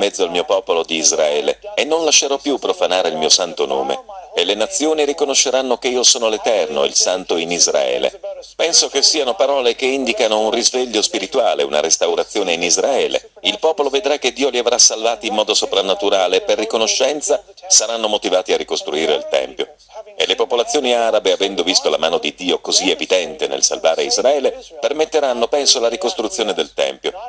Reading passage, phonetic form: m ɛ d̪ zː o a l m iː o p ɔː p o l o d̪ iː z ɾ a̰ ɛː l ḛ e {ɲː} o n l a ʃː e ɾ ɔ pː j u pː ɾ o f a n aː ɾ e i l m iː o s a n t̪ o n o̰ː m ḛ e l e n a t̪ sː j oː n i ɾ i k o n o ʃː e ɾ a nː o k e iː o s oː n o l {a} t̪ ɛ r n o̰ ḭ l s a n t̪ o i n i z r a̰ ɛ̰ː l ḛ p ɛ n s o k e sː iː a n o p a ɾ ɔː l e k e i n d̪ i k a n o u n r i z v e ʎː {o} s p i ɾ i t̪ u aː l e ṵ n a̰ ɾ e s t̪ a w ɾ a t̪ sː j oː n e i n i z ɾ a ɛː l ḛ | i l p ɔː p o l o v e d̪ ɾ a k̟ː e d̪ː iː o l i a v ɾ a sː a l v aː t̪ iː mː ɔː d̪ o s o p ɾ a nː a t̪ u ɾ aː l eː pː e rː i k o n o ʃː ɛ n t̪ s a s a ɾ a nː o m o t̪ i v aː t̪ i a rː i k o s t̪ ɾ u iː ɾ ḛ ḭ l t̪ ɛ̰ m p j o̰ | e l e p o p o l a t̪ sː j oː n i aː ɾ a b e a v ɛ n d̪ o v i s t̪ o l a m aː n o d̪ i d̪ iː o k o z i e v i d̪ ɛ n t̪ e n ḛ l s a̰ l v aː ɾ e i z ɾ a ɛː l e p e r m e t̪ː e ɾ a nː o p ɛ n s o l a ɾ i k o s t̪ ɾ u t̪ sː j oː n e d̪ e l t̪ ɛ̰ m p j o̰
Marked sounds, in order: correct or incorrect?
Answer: incorrect, incorrect, correct

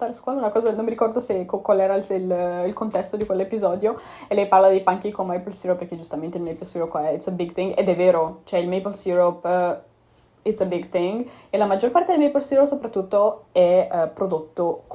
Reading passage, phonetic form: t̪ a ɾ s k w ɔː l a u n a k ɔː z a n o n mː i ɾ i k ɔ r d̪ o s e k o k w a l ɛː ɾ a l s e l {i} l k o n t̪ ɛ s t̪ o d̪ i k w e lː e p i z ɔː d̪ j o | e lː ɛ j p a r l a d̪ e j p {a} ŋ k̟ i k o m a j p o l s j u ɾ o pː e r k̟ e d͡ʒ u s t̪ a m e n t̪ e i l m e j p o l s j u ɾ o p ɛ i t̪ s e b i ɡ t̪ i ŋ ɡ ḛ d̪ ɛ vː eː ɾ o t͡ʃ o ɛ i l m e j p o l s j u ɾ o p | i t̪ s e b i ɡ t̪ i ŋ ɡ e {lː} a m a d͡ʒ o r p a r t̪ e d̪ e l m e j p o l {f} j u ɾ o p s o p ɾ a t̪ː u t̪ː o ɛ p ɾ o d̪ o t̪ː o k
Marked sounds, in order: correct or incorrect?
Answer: correct, correct, incorrect, incorrect

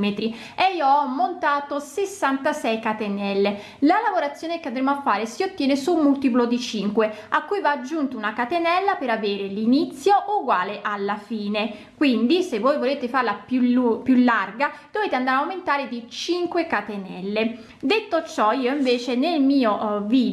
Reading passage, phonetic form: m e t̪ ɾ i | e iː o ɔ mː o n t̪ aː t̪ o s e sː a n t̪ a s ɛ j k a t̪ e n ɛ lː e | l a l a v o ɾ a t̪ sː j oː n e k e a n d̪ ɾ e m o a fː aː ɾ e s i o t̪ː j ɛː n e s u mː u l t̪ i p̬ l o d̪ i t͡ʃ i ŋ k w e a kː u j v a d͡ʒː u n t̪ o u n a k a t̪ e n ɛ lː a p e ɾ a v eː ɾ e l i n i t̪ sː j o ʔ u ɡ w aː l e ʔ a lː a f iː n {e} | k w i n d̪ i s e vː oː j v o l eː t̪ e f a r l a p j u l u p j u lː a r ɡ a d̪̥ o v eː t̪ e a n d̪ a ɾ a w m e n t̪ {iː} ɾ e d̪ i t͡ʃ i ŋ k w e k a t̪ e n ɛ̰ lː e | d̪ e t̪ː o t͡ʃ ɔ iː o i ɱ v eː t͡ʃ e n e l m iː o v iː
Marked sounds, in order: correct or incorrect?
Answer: correct, incorrect

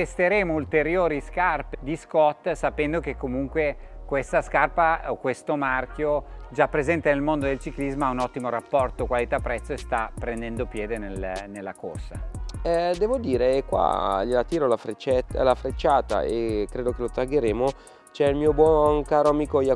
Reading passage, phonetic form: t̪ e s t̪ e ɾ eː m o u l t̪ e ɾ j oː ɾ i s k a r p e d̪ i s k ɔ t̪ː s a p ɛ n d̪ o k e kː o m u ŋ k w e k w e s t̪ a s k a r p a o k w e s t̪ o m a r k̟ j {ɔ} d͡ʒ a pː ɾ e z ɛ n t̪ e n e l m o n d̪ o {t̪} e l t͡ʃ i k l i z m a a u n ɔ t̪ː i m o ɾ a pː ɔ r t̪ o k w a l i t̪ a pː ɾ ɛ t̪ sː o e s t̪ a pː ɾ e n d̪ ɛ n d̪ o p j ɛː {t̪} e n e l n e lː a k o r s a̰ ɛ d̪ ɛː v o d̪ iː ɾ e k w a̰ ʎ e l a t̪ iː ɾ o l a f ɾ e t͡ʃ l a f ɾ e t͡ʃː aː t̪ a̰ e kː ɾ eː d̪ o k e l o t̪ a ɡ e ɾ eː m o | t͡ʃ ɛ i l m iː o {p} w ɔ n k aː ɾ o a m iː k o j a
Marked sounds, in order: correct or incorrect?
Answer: incorrect, incorrect, incorrect, incorrect

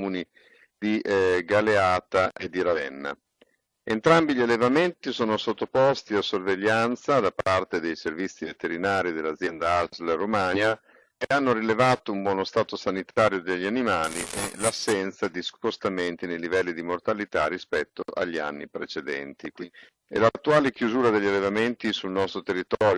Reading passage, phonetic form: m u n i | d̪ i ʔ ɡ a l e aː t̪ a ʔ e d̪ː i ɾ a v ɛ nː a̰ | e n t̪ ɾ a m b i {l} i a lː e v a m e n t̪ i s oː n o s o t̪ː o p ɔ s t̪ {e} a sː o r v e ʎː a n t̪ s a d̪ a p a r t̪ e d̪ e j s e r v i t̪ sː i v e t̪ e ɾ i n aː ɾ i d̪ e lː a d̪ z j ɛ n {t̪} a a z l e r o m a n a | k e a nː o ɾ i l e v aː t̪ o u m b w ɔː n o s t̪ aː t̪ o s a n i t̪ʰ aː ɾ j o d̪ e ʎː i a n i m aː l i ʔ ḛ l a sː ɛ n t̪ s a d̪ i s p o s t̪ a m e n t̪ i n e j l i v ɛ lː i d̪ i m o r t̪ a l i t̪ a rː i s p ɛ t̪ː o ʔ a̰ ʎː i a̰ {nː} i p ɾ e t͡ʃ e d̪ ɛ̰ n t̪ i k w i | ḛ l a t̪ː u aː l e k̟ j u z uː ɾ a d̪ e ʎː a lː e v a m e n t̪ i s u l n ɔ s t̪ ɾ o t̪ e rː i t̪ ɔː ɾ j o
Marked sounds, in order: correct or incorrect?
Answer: incorrect, incorrect, incorrect, correct

